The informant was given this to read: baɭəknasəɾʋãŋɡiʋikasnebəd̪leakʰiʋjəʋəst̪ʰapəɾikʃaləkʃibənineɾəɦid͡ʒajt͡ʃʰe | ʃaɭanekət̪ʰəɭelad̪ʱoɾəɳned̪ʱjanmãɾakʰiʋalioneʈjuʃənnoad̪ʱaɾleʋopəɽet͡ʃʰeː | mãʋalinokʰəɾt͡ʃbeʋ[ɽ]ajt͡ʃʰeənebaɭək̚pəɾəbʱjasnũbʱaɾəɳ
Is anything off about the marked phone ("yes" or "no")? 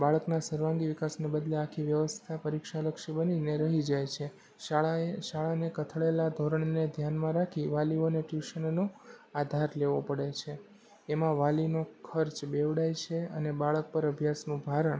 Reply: no